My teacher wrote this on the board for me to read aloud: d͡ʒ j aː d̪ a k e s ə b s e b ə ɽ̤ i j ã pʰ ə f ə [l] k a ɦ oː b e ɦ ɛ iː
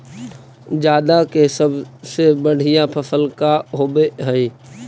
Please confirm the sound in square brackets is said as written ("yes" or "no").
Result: yes